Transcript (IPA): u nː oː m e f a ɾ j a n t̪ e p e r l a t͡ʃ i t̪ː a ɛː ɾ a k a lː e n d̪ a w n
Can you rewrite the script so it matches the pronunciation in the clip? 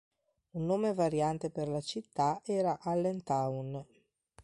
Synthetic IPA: u nː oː m e v a ɾ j a n t̪ e p e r l a t͡ʃ i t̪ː a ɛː ɾ a ʔ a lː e n t̪ a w n